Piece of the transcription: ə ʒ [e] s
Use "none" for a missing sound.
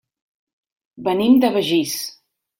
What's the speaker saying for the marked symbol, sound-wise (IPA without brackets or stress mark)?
i